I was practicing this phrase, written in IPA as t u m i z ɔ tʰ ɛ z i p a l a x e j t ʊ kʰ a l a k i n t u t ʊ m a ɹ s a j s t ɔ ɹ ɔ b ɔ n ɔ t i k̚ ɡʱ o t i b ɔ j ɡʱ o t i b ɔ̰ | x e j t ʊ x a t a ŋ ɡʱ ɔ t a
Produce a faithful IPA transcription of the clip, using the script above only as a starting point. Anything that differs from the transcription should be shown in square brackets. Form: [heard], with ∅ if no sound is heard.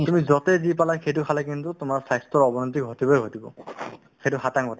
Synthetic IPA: t u m i z ɔ [t] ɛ z i p a l a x e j t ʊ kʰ a l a k i n t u t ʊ m a ɹ s a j s t ɔ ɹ ɔ b ɔ n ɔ t i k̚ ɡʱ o t i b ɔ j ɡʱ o t i b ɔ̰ | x e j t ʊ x a t a ŋ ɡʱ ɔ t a